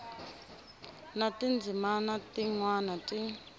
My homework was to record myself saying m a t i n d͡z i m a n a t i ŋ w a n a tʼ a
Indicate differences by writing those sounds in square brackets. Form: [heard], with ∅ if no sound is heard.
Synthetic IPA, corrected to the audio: [n] a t i n d͡z i m a n a t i ŋ w a n a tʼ [i]